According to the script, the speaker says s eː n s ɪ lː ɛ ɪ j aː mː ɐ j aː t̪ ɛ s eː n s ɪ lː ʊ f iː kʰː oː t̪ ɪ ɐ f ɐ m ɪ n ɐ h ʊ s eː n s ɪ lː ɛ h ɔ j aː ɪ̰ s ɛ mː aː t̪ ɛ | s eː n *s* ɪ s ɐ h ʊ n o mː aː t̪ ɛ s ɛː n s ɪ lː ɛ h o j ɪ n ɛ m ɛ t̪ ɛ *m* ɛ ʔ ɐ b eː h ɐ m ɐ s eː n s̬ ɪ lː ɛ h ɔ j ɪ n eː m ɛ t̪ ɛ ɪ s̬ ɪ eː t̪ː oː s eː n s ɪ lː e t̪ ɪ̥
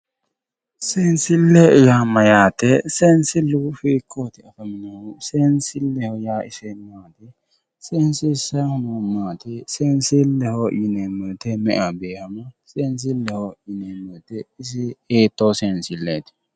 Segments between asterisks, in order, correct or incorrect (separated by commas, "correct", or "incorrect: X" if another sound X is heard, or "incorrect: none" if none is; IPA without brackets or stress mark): correct, correct